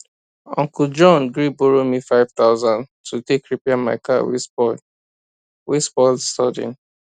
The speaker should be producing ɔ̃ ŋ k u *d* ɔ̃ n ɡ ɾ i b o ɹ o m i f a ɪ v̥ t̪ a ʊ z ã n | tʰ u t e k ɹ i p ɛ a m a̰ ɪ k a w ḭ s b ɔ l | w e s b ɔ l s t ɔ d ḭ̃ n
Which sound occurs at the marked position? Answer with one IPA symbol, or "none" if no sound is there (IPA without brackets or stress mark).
d͡ʒ